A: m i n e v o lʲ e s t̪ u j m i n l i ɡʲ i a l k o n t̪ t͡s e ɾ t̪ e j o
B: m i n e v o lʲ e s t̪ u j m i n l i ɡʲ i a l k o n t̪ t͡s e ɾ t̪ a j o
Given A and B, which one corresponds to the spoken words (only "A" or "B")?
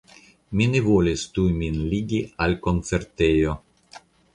A